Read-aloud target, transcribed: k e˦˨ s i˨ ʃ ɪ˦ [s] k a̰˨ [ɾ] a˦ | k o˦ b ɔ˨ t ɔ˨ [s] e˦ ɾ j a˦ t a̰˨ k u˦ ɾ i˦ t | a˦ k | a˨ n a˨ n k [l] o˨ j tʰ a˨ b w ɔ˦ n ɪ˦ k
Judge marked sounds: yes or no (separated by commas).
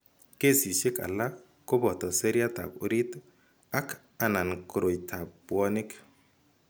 no, no, yes, no